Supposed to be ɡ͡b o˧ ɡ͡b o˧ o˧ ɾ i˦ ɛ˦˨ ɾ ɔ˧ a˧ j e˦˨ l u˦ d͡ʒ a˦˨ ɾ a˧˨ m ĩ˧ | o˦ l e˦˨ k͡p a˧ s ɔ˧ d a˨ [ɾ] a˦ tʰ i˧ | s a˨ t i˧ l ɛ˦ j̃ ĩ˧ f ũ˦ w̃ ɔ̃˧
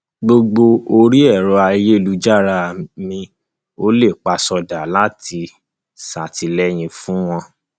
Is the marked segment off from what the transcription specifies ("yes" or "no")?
yes